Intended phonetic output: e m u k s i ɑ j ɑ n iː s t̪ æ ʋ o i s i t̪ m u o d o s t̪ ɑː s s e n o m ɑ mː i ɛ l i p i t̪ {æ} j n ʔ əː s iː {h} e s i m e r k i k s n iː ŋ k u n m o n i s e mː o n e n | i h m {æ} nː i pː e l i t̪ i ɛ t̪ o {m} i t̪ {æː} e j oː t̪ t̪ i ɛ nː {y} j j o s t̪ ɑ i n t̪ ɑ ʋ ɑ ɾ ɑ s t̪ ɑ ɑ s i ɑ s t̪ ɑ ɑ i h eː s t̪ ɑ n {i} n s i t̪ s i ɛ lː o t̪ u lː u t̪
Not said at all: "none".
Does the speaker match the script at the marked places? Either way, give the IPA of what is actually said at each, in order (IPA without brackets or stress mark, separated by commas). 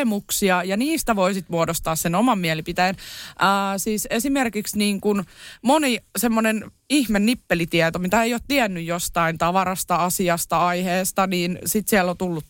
æ, s, e, m, æ, y, iː